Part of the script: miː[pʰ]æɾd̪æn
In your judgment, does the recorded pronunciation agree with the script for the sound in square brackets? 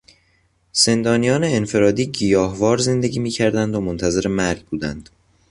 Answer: no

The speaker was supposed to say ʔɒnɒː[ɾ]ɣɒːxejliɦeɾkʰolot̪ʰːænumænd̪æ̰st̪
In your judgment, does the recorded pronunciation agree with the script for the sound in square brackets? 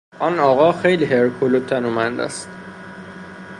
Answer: no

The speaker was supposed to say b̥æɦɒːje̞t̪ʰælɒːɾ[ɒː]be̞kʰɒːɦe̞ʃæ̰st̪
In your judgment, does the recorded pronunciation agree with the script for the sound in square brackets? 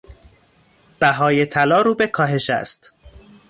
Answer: no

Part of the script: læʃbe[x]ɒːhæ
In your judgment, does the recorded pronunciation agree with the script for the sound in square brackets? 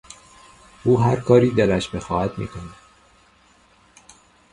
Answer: yes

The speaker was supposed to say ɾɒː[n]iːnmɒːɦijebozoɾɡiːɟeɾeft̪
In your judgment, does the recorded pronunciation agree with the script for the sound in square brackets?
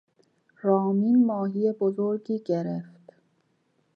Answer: no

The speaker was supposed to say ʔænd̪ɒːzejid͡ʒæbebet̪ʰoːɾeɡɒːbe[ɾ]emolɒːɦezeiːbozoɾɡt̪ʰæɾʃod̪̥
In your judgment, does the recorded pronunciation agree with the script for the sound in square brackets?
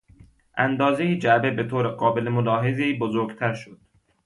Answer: no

